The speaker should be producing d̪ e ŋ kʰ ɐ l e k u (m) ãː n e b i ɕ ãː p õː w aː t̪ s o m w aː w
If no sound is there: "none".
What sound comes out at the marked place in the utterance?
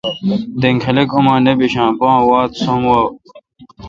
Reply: m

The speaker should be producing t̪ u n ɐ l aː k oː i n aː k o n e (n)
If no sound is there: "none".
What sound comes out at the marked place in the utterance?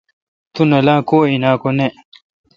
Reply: none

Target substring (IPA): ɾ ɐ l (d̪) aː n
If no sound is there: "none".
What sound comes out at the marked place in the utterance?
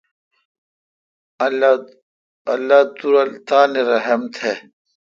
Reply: t̪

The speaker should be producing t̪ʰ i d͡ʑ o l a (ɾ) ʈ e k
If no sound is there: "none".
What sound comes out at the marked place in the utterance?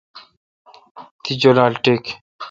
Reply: l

